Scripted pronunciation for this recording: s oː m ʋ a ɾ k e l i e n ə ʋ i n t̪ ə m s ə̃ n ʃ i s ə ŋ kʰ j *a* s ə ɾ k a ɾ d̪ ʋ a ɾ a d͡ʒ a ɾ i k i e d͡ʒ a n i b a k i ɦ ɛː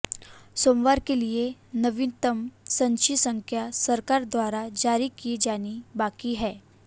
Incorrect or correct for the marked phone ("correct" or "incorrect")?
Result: correct